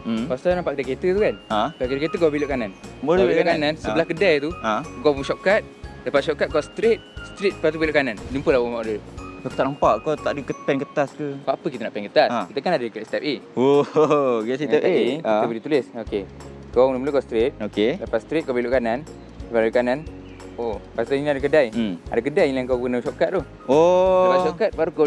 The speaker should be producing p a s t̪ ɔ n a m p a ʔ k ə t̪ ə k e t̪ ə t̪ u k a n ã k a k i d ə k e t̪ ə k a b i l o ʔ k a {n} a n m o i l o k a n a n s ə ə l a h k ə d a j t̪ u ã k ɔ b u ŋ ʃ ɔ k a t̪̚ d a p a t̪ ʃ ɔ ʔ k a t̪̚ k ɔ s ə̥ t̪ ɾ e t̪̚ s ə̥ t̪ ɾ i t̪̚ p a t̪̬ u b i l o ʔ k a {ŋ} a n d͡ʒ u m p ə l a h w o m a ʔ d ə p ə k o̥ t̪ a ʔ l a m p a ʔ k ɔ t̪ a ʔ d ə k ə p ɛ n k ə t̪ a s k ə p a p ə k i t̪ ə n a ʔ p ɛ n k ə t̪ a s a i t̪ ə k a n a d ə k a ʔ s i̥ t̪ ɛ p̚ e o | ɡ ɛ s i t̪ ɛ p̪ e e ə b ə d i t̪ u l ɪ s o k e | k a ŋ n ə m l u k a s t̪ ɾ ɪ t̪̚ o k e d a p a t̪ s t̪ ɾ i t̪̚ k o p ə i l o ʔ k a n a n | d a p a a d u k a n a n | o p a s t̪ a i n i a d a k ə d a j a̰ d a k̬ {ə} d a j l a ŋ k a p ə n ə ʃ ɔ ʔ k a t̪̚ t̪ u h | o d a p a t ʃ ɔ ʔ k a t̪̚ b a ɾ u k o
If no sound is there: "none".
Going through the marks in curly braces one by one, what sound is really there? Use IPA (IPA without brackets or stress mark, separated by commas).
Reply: n, n, ə